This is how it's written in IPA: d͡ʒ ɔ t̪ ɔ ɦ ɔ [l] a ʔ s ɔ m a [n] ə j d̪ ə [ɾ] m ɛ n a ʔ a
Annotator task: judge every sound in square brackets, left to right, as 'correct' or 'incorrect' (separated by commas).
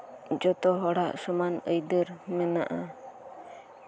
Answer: incorrect, correct, correct